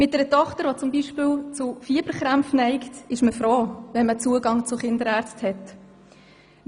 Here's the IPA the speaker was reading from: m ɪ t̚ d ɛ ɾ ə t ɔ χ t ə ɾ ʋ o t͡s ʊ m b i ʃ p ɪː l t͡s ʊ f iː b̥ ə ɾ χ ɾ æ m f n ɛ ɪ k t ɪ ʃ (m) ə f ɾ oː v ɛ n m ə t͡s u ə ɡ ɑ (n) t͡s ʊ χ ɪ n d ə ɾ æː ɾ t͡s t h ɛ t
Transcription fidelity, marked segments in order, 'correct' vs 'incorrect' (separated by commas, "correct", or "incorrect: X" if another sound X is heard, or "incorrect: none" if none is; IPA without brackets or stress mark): correct, incorrect: ŋ